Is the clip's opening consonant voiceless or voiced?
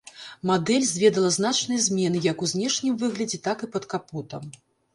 voiced